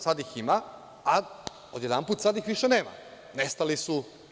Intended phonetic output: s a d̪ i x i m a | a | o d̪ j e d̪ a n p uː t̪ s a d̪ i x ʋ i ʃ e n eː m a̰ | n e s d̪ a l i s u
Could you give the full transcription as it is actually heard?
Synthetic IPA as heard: s a d̪ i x i m a | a | o d̪ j e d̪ a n p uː t̪ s a d̪ i x ʋ i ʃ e n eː m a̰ | n e s t̪ a l i s u